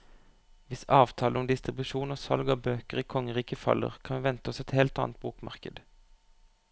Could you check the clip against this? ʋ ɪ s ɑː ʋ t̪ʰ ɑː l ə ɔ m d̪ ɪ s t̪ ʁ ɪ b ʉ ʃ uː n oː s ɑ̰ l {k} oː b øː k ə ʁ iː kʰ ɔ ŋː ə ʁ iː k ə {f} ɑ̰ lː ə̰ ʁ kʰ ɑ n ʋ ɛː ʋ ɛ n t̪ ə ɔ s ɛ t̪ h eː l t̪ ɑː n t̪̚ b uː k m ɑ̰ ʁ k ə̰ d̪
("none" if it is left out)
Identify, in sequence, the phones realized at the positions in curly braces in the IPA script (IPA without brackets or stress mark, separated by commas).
ɡ, f